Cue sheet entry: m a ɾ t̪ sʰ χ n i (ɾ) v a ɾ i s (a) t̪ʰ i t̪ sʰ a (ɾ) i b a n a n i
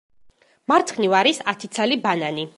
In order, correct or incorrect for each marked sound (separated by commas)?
incorrect, correct, incorrect